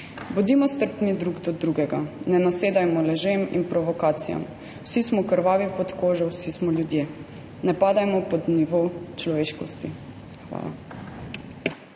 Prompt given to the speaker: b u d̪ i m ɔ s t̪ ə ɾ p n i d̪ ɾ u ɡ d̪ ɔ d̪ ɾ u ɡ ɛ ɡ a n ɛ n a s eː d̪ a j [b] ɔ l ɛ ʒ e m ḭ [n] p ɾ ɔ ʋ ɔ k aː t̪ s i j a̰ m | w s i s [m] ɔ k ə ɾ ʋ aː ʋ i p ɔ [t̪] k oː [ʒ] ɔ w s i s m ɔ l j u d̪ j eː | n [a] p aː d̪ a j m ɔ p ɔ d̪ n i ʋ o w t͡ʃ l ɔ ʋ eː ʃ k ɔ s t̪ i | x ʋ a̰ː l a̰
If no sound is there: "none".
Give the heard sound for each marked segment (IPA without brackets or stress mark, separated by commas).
m, n, m, t̪, ʒ, ɛ